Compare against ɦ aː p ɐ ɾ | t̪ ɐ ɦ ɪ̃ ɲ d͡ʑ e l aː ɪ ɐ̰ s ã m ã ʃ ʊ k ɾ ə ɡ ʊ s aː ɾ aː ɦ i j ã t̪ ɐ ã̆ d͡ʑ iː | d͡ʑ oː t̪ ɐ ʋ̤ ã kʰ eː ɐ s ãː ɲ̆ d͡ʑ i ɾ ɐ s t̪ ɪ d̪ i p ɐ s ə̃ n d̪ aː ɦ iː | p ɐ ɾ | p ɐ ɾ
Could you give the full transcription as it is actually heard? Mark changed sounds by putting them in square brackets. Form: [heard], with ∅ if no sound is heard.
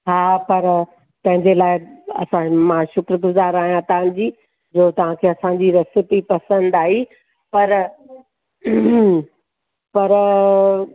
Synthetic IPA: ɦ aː p ɐ ɾ | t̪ [ɐ̃] ɦ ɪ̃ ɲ d͡ʑ e l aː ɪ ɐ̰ s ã m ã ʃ ʊ k ɾ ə ɡ ʊ [z] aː ɾ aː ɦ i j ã t̪ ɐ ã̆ d͡ʑ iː | d͡ʑ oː t̪ ɐ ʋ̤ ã kʰ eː ɐ s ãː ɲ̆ d͡ʑ i ɾ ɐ s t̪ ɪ [t̪] i p ɐ s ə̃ n d̪ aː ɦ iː | p ɐ ɾ | p ɐ ɾ

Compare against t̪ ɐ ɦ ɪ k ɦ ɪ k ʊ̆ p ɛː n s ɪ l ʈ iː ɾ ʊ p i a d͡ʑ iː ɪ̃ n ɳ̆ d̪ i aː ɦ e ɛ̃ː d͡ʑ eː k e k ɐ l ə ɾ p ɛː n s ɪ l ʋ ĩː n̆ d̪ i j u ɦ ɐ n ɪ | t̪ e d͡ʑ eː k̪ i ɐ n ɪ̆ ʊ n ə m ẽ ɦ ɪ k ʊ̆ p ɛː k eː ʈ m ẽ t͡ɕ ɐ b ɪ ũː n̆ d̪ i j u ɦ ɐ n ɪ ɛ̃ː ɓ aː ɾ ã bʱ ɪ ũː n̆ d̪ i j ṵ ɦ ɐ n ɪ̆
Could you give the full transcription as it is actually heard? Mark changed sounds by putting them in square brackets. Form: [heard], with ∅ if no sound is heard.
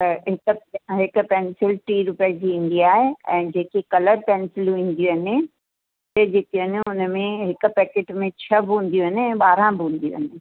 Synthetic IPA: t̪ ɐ ɦ ɪ k ɦ ɪ k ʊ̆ p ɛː n s ɪ l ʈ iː ɾ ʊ p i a d͡ʑ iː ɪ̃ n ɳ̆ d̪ i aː ɦ e ɛ̃ː d͡ʑ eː k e k ɐ l ə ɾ p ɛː n s ɪ l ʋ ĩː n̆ d̪ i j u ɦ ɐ n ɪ | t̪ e d͡ʑ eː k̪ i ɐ n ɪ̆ ʊ n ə m ẽ ɦ ɪ k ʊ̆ p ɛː k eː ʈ m ẽ [t͡ɕʰ] ɐ b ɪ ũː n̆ d̪ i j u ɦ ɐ n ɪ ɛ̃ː ɓ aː ɾ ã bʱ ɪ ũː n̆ d̪ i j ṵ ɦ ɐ n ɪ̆

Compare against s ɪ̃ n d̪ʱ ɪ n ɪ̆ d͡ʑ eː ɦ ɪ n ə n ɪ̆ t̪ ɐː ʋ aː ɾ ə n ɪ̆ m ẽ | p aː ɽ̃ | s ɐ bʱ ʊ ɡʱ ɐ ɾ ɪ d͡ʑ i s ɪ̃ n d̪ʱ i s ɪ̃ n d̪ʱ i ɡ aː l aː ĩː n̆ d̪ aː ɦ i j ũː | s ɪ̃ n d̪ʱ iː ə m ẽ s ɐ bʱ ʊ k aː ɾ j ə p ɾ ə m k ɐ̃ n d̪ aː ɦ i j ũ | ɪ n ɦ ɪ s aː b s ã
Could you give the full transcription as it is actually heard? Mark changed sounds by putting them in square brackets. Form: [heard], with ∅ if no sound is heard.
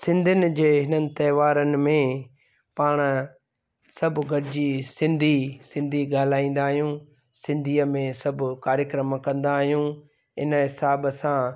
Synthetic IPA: s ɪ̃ n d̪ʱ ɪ n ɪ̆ d͡ʑ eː ɦ ɪ n ə n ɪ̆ t̪ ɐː ʋ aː ɾ ə n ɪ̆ m ẽ | p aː ɽ̃ | s ɐ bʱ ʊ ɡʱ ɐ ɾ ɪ d͡ʑ i s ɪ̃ n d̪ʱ i s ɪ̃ n d̪ʱ i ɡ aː l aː ĩː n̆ d̪ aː ɦ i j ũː | s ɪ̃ n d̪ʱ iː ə m ẽ s ɐ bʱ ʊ k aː ɾ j ə [k] ɾ ə m k ɐ̃ n d̪ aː ɦ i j ũ | ɪ n ɦ ɪ s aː b s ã

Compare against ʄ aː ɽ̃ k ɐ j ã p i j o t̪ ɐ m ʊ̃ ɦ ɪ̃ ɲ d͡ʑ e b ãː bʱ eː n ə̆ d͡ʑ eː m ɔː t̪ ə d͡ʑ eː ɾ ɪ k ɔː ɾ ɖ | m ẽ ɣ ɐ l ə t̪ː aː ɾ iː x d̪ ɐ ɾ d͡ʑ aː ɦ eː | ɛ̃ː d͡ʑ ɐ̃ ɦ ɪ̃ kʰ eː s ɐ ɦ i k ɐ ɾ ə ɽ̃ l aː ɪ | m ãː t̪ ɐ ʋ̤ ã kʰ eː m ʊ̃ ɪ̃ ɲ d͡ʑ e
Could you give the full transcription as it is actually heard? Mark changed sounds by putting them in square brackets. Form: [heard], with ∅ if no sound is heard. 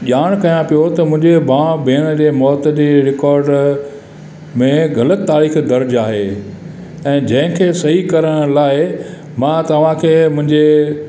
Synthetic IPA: ʄ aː ɽ̃ k ɐ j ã p i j o t̪ ɐ m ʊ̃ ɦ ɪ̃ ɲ d͡ʑ e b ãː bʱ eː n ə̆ d͡ʑ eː m ɔː t̪ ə d͡ʑ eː ɾ ɪ k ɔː ɾ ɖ | m ẽ ɣ ɐ l ə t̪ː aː ɾ iː x d̪ ɐ ɾ d͡ʑ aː ɦ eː | ɛ̃ː d͡ʑ ɐ̃ ɦ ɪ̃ kʰ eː s ɐ ɦ i k ɐ ɾ ə ɽ̃ l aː ɪ | m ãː t̪ ɐ ʋ̤ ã kʰ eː m ʊ̃ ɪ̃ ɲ d͡ʑ e

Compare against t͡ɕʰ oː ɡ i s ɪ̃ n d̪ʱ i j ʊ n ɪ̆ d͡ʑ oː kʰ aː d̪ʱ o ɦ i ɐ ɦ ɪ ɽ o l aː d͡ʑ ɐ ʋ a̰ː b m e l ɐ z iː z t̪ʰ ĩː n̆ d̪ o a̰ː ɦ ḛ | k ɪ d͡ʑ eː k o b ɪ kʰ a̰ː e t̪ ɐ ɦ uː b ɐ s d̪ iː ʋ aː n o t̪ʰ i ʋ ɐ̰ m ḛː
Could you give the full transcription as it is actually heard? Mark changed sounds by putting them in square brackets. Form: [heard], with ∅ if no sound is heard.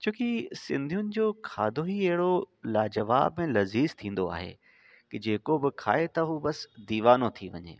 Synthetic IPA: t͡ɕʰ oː [k] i s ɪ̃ n d̪ʱ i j ʊ n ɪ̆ d͡ʑ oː kʰ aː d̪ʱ o ɦ i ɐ ɦ ɪ ɽ o l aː d͡ʑ ɐ ʋ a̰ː b m [ẽ] l ɐ z iː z t̪ʰ ĩː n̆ d̪ o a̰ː ɦ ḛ | k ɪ d͡ʑ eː k o b ɪ kʰ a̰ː e t̪ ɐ ɦ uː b ɐ s d̪ iː ʋ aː n o t̪ʰ i ʋ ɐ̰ [ɲ] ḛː

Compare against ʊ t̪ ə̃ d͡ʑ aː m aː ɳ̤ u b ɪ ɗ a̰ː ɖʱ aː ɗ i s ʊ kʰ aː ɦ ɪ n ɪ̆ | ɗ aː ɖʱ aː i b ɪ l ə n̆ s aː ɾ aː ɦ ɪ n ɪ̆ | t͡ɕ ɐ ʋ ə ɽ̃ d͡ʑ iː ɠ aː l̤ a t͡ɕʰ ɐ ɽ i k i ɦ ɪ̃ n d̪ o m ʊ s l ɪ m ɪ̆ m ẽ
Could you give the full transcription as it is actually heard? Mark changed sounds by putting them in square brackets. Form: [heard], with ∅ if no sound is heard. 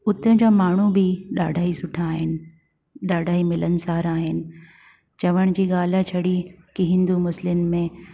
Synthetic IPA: ʊ t̪ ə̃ d͡ʑ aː m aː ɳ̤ u b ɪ ɗ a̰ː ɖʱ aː [∅] i s ʊ [ʈʰ] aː ɦ ɪ n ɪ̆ | ɗ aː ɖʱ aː i [m] ɪ l ə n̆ s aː ɾ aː ɦ ɪ n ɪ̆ | t͡ɕ ɐ ʋ ə ɽ̃ d͡ʑ iː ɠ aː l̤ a t͡ɕʰ ɐ ɽ i k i ɦ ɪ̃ n d̪ [u] m ʊ s l ɪ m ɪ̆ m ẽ

